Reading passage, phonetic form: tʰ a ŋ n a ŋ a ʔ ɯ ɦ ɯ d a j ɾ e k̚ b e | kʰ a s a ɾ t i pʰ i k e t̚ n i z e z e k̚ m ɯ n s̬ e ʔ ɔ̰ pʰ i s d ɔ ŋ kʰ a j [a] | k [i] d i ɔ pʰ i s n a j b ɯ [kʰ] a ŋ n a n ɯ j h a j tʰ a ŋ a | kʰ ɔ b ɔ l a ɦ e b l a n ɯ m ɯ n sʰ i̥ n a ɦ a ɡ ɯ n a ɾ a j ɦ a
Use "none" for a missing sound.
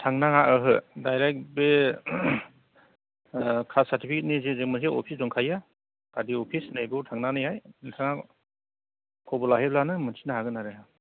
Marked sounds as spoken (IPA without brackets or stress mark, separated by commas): a, a, tʰ